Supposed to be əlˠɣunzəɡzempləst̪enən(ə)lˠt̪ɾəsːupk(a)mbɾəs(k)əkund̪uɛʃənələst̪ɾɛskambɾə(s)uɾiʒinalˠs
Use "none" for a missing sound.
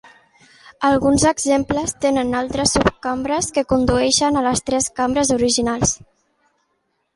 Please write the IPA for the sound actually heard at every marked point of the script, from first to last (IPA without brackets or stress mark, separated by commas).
a, a, k, z